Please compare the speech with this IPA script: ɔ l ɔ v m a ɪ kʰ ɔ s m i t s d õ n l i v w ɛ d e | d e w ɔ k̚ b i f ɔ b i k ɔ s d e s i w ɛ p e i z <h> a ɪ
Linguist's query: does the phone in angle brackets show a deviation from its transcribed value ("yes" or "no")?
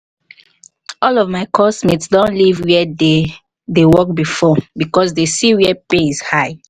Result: no